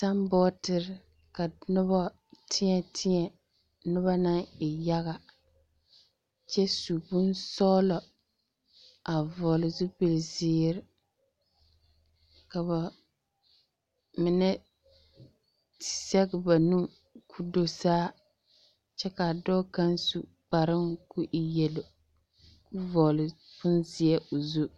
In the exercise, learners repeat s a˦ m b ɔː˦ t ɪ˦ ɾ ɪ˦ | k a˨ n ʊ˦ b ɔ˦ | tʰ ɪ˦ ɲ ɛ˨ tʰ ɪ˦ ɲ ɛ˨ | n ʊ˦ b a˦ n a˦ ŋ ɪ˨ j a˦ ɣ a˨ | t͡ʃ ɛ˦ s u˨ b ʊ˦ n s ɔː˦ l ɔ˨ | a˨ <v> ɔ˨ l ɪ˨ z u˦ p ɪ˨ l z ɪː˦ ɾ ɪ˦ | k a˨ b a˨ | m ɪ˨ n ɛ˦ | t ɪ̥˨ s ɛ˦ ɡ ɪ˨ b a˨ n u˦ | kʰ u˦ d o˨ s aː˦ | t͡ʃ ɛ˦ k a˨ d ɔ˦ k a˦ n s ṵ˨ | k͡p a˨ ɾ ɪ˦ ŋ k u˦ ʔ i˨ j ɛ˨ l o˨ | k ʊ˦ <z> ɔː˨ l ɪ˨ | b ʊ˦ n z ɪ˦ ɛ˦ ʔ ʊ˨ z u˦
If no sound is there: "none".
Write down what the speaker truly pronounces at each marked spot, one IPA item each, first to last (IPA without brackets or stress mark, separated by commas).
v, v